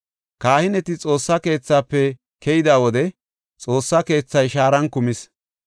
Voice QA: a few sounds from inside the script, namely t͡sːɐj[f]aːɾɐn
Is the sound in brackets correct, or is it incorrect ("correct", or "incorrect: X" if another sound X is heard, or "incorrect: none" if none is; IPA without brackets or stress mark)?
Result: incorrect: ʃ